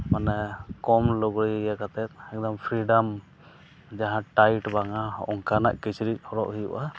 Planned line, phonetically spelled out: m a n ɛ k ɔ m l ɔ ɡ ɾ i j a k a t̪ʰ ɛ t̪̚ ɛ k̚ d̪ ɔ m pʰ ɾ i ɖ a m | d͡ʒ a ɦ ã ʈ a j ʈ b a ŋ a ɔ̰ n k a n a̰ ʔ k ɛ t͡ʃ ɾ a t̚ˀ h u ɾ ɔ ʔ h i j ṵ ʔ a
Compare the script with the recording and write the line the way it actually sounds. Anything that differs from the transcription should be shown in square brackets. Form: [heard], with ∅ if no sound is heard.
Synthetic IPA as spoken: m a n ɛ k ɔ m l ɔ ɡ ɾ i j a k a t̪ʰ ɛ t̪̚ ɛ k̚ d̪ ɔ m pʰ ɾ i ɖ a m | d͡ʒ a ɦ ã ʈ a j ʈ b a ŋ a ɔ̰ [ŋ] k a n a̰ ʔ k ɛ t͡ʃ ɾ [i] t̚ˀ h [ɔ] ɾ ɔ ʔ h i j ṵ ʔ a